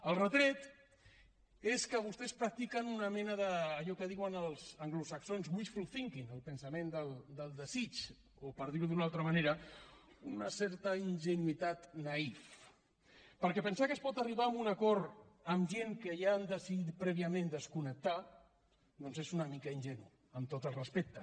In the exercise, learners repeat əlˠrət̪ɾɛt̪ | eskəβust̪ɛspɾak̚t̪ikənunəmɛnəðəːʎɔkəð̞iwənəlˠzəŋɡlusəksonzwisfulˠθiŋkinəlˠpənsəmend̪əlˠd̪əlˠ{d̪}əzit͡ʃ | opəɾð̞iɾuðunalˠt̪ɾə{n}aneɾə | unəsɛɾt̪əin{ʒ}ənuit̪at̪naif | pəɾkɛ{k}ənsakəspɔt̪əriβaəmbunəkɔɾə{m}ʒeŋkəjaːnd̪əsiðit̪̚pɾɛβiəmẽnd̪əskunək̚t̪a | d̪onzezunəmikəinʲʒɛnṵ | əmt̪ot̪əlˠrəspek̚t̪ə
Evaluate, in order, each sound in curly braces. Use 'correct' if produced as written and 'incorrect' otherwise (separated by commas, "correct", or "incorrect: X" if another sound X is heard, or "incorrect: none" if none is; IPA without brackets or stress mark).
correct, incorrect: m, correct, incorrect: p, correct